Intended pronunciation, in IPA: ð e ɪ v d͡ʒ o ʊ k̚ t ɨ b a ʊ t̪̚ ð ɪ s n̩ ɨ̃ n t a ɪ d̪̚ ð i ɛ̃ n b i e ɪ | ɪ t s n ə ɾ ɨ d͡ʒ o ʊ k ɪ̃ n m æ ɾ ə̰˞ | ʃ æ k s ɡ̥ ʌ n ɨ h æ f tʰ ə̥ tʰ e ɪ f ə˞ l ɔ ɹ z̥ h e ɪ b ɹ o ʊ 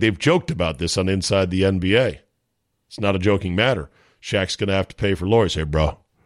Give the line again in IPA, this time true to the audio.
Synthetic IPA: ð e ɪ v d͡ʒ o ʊ k̚ t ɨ b a ʊ t̪̚ ð ɪ s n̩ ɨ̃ n s a ɪ d̪̚ ð i ɛ̃ n b i e ɪ | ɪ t s n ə ɾ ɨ d͡ʒ o ʊ k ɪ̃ ŋ m æ ɾ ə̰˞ | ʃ æ k s ɡ̥ ʌ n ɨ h æ f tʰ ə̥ pʰ e ɪ f ə˞ l ɔ ɹ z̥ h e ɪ b ɹ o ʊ